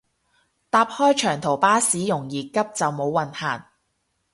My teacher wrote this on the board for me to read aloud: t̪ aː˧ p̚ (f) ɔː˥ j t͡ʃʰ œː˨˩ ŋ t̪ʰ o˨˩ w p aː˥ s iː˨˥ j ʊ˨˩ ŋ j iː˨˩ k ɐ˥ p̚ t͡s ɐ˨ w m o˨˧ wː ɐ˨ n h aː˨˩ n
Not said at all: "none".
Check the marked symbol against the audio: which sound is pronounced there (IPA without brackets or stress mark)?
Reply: h